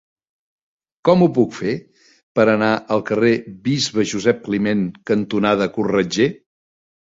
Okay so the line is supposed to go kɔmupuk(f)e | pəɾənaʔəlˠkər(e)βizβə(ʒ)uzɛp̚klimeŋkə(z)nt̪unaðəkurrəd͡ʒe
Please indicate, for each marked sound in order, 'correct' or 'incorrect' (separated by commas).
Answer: correct, correct, correct, incorrect